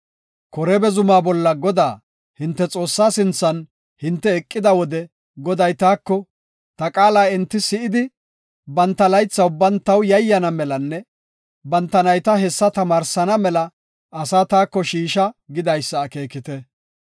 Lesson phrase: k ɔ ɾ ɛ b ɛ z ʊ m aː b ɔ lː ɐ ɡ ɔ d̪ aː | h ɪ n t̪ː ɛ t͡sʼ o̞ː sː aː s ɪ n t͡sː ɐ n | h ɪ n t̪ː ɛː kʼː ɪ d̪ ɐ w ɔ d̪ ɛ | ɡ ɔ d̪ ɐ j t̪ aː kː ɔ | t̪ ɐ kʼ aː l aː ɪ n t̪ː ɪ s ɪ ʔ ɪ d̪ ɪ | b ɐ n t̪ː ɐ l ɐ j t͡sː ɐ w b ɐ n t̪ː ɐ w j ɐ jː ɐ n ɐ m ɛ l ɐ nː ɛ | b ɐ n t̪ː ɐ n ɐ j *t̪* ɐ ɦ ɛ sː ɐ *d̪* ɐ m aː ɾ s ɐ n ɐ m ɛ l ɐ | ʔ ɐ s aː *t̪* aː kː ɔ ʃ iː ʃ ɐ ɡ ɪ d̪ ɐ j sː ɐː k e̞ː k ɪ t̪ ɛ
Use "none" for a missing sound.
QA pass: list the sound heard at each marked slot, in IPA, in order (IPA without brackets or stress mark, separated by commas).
t̪, t̪, t̪